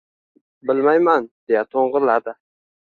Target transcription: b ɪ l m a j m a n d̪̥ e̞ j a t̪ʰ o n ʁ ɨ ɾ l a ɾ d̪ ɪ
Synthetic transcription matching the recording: b ɪ l m a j m a n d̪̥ e̞ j a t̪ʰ o ɴ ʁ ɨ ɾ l a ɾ d̪ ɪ

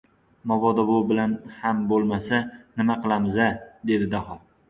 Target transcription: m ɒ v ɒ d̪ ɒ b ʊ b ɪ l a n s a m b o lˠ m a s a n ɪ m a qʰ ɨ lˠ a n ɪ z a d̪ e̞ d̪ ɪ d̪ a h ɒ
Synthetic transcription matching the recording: m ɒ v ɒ d̪ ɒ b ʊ b ɪ l a n h a m b o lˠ m a s a n ɪ m a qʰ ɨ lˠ a m ɪ z a d̪ e̞ d̪ ɪ d̪ a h ɒ

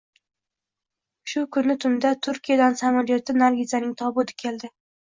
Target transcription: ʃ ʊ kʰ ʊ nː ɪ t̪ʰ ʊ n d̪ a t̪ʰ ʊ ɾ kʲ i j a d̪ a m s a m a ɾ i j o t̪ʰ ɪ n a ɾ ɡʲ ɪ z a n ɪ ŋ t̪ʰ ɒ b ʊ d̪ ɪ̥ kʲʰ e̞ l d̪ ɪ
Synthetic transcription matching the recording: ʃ ʊ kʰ ʊ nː ɪ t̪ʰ ʊ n d̪ a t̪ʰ ʊ ɾ kʲ i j a d̪ a n s a m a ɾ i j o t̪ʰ ɪ n a ɾ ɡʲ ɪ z a n ɪ ŋ t̪ʰ ɒ b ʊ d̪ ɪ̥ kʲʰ e̞ l d̪ ɪ

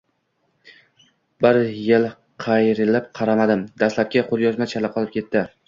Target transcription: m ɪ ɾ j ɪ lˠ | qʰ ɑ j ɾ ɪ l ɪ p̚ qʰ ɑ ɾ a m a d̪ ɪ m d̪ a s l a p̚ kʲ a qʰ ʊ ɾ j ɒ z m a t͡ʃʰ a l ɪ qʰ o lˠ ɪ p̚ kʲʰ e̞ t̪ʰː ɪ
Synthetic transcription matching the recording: b ɪ ɾ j ɪ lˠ | qʰ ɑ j ɾ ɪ l ɪ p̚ qʰ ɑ ɾ a m a d̪ ɪ m d̪ a s l a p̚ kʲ a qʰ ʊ ɾ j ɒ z m a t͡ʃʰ a l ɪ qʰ ɒ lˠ ɪ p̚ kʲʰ e̞ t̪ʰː ɪ

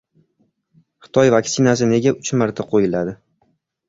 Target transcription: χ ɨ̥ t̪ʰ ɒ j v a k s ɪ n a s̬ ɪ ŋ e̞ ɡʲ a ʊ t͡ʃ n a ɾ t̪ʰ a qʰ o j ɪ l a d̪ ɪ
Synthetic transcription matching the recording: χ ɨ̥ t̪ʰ ɒ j v a k s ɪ n a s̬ ɪ n e̞ ɡʲ a ʊ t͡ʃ m a ɾ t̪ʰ a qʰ o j ɪ l a d̪ ɪ

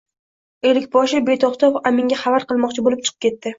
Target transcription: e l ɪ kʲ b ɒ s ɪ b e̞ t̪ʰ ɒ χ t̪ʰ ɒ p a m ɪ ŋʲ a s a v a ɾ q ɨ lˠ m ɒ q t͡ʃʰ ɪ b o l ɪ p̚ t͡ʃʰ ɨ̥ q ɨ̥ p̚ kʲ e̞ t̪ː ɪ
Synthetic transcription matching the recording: e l ɪ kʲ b ɒ ʃ ɪ b e̞ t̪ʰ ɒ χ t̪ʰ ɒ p a m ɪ ŋʲ a χ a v a ɾ q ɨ lˠ m ɒ q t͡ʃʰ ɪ b o l ɪ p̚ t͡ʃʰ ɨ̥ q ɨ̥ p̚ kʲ e̞ t̪ː ɪ

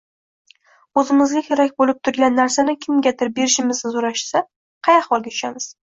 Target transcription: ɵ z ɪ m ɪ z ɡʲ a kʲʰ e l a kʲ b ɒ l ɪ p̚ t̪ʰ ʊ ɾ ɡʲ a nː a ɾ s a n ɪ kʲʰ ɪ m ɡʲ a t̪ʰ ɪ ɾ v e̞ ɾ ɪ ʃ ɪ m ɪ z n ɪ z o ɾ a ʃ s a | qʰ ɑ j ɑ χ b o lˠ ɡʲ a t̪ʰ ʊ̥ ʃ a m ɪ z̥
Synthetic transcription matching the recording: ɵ z ɪ m ɪ z ɡʲ a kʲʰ e ɾ a kʲ b o l ɪ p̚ t̪ʰ ʊ ɾ ɡʲ a nː a ɾ s a n ɪ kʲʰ ɪ m ɡʲ a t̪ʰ ɪ ɾ b e̞ ɾ ɪ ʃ ɪ m ɪ z n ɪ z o ɾ a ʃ s a | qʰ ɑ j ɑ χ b ɒ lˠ ɡʲ a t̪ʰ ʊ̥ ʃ a m ɪ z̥

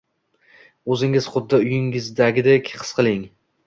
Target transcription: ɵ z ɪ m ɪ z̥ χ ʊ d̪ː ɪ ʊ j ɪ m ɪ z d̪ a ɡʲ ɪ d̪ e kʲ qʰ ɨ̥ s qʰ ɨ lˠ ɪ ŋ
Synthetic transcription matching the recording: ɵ z ɪ ŋ ɪ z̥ χ ʊ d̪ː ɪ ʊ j ɪ ŋ ɪ z d̪ a ɡʲ ɪ d̪ e kʲ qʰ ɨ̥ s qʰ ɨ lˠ ɪ ŋ

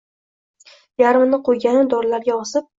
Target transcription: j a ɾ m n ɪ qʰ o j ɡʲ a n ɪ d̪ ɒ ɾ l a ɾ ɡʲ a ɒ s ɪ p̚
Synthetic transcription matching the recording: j a ɾ m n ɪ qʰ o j ɡʲ a n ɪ d̪ ɒ ɾ l a ɾ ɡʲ a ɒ s ɪ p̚

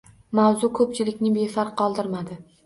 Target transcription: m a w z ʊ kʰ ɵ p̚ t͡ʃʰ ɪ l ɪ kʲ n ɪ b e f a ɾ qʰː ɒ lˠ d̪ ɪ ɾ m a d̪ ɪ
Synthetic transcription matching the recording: m a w z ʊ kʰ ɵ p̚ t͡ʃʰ ɪ l ɪ kʲ n ɪ b e f a ɾ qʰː ɒ lˠ d̪ ɪ ɾ m a d̪ ɪ

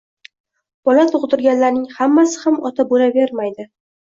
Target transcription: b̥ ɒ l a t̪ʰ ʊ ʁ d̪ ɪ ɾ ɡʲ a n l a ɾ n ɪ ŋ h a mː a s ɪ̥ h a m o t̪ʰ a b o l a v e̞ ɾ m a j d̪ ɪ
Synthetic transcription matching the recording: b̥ ɒ l a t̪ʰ ʊ ʁ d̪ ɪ ɾ ɡʲ a n l a ɾ n ɪ ŋ h a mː a s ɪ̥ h a m ɒ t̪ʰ a b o l a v e̞ ɾ m a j d̪ ɪ

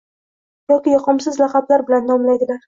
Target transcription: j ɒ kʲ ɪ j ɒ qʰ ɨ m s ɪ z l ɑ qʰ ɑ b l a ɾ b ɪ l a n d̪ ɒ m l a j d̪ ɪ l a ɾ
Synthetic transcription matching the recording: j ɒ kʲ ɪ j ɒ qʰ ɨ m s ɪ z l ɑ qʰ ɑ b l a ɾ b ɪ l a n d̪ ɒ m l a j d̪ ɪ l a ɾ

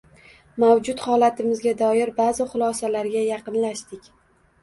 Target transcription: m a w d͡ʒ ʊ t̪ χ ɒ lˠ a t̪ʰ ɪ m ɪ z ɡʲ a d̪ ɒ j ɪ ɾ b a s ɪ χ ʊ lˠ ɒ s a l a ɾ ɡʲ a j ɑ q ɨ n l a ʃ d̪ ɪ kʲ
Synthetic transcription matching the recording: m a w d͡ʒ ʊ t̪ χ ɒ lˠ a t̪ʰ ɪ m ɪ z ɡʲ a d̪ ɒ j ɪ ɾ b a z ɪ χ ʊ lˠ ɒ s a l a ɾ ɡʲ a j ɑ q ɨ n l a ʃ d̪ ɪ kʲ

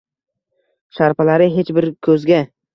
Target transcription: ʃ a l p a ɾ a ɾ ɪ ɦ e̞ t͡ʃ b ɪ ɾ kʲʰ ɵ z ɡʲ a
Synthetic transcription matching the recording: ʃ a ɾ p a l a ɾ ɪ ɦ e̞ t͡ʃ b ɪ ɾ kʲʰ ɵ z ɡʲ a

